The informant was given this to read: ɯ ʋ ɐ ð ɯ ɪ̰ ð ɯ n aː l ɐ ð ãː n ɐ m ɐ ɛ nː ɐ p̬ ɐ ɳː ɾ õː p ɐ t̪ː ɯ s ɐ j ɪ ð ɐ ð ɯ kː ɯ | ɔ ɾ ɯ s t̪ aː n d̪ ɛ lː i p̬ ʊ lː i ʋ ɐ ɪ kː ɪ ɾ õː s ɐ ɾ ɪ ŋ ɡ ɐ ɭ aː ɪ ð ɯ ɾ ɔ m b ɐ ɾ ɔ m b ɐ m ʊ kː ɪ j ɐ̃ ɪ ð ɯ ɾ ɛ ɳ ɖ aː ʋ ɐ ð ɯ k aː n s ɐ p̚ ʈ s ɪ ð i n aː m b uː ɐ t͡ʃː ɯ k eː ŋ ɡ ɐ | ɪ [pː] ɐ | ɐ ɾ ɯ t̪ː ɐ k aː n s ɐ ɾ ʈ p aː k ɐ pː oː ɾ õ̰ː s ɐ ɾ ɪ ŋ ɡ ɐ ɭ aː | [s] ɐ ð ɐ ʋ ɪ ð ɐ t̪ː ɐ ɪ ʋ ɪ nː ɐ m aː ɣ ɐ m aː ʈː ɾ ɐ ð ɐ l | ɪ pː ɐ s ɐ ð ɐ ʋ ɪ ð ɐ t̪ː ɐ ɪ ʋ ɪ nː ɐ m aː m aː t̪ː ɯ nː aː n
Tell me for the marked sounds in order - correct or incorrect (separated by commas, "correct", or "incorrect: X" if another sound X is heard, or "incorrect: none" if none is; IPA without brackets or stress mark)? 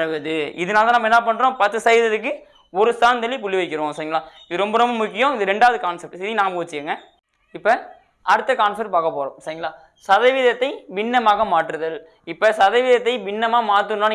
correct, correct